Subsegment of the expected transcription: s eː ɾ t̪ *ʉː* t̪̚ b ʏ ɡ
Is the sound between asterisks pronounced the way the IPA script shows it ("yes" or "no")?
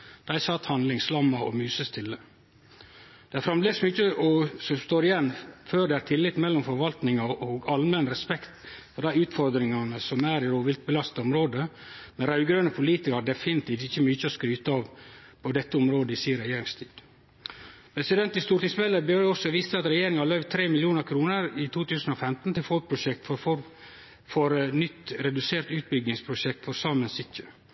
yes